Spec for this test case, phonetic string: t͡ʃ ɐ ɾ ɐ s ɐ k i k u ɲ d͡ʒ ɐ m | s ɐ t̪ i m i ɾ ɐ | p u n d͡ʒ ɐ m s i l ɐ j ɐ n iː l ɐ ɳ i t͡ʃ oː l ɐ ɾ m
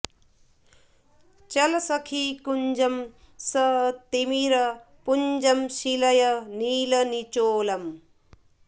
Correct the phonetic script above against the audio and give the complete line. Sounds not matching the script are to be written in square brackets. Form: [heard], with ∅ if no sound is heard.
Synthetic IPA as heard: t͡ʃ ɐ [l] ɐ s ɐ [kʰ] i k u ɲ d͡ʒ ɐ m | s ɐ t̪ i m i ɾ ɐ | p u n d͡ʒ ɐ m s i l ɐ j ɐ n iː l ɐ [n] i t͡ʃ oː l ɐ [∅] m